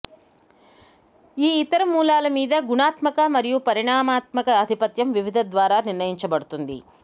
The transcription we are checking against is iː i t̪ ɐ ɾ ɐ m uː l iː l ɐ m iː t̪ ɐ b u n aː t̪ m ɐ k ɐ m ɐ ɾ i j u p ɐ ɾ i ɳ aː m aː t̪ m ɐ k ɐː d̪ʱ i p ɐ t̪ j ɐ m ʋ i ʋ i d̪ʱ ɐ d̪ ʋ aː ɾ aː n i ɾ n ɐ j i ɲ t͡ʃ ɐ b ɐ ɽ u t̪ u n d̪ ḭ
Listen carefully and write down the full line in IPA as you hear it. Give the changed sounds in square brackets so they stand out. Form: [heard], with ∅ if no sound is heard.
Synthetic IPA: iː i t̪ ɐ ɾ ɐ m uː l [aː] l ɐ m iː [d̪] ɐ [ɡ] u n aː t̪ m ɐ k ɐ m ɐ ɾ i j u p ɐ ɾ i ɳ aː m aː t̪ m ɐ k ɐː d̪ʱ i p ɐ t̪ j ɐ m ʋ i ʋ i d̪ʱ ɐ d̪ ʋ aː ɾ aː n i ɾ n ɐ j i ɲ t͡ʃ ɐ b ɐ ɽ u t̪ u n d̪ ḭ